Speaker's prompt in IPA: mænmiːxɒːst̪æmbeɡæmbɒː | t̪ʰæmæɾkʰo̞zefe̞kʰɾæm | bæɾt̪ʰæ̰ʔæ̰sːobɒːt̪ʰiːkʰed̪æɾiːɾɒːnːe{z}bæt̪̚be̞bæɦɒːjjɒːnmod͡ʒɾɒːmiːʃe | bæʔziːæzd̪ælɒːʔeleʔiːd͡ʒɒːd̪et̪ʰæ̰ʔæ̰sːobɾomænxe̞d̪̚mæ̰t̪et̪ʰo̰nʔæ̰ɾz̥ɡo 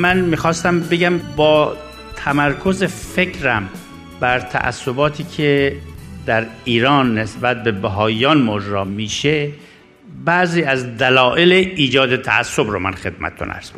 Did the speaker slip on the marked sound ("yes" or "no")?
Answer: yes